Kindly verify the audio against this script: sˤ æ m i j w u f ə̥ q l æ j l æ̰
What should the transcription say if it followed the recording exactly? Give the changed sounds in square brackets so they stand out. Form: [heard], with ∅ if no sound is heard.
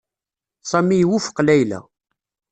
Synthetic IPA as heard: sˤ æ m i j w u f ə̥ q l æ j l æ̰